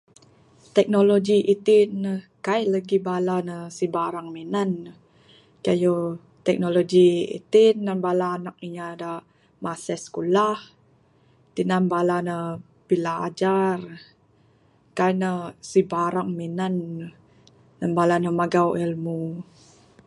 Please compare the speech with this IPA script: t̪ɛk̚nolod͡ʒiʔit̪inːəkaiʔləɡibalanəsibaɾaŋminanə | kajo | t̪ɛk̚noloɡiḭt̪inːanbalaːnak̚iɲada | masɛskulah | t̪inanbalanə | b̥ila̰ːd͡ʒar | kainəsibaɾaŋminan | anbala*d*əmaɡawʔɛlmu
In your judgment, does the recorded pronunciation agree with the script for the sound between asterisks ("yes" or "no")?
no